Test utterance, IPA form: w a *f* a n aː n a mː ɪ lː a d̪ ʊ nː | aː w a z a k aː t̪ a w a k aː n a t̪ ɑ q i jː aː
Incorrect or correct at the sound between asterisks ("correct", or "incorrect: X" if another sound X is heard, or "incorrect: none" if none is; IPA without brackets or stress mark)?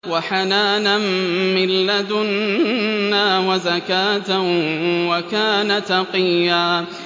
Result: incorrect: ħ